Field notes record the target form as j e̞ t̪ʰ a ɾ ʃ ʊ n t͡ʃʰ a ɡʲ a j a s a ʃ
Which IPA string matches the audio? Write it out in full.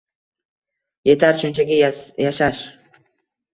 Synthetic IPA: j e̞ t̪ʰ a ɾ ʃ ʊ n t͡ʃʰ a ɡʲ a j a ʃ a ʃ

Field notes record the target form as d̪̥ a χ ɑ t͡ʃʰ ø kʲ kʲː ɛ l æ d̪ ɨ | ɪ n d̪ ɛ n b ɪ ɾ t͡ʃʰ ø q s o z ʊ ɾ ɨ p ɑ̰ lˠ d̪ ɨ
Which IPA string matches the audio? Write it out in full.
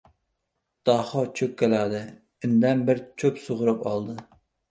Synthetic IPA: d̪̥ ɑ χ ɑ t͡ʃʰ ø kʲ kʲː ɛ l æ d̪ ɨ | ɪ n d̪ ɛ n b ɪ ɾ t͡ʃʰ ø p s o ʁ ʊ ɾ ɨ p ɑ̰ lˠ d̪ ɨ

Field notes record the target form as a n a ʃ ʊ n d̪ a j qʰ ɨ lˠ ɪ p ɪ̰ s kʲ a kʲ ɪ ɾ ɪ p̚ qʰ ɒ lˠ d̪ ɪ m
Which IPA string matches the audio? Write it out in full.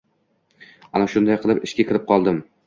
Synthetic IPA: a n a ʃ ʊ n d̪ a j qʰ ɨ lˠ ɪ p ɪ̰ ʃ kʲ a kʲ ɪ ɾ ɪ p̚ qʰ ɒ lˠ d̪ ɪ m

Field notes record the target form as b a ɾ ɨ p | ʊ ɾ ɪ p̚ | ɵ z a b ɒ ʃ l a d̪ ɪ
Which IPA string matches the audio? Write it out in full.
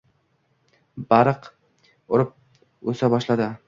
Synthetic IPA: b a ɾ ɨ q | ʊ ɾ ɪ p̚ | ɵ s a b ɒ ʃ l a d̪ ɪ

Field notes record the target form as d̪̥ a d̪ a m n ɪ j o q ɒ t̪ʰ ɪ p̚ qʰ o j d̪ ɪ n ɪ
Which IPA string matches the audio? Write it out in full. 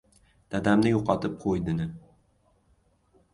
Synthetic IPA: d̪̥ a d̪ a m n ɪ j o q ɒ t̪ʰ ɪ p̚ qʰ o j d̪ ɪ n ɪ

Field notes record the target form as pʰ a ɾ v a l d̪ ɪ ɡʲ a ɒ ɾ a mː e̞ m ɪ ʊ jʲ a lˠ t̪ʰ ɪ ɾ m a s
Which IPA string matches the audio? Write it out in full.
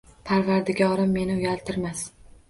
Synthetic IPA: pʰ a ɾ v a ɾ d̪ ɪ ɡʲ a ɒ ɾ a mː e̞ n ɪ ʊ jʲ a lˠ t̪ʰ ɪ ɾ m a s

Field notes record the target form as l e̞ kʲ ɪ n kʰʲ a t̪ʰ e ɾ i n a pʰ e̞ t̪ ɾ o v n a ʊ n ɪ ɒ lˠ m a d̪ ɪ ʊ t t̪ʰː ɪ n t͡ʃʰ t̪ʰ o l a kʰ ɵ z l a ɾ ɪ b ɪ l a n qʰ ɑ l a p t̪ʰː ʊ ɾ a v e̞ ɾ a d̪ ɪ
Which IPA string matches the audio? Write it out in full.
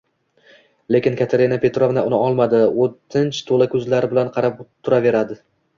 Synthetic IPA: l e̞ kʲ ɪ n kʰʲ a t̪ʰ e ɾ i n a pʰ e̞ t̪ ɾ o v n a ʊ n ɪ ɒ lˠ m a d̪ ɪ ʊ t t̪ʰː ɪ n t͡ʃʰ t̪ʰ o l a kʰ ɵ z l a ɾ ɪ b ɪ l a n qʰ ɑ ɾ a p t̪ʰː ʊ ɾ a v e̞ ɾ a d̪ ɪ

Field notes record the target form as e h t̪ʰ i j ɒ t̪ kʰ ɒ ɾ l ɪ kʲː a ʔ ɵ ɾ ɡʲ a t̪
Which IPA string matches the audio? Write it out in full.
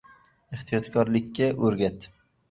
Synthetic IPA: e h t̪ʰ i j ɒ t̪ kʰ ɒ ɾ l ɪ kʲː a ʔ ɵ ɾ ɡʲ a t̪

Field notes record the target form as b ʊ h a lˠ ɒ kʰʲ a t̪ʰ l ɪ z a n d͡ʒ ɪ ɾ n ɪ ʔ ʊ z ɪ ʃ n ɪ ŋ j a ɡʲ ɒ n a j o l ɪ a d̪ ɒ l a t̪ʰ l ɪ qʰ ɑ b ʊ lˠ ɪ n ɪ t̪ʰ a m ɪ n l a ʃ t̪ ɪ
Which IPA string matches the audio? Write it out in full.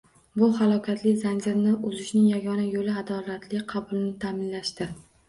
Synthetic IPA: b ʊ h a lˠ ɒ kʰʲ a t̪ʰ l ɪ z a n d͡ʒ ɪ ɾ n ɪ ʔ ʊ z ɪ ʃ n ɪ ŋ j a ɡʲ ɒ n a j o l ɪ a d̪ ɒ l a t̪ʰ l ɪ qʰ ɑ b ʊ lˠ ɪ n ɪ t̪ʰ a m ɪ n l a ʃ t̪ ɪ

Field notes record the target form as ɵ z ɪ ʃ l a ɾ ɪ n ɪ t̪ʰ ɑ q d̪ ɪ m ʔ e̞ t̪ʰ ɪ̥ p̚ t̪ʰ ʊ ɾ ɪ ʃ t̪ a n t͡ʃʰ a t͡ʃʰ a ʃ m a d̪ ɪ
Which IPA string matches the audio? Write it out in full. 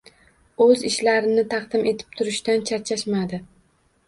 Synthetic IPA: ɵ z ɪ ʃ l a ɾ ɪ n ɪ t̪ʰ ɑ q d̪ ɪ m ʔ e̞ t̪ʰ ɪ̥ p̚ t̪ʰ ʊ ɾ ɪ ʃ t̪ a n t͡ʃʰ a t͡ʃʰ a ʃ m a d̪ ɪ

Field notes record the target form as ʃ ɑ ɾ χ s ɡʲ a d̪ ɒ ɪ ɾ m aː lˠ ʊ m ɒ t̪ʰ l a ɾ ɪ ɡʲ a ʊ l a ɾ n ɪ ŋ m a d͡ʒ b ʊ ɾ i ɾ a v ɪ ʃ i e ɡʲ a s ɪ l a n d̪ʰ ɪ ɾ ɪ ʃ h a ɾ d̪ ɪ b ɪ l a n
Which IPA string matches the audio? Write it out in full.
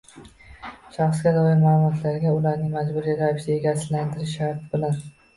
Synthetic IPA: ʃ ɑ χ s ɡʲ a d̪ ɒ ɪ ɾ m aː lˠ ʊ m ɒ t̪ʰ l a ɾ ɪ ɡʲ a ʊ l a ɾ n ɪ ŋ m a d͡ʒ b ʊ ɾ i ɾ a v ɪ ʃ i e ɡʲ a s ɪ l a n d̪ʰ ɪ ɾ ɪ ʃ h a ɾ t̪ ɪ b ɪ l a n

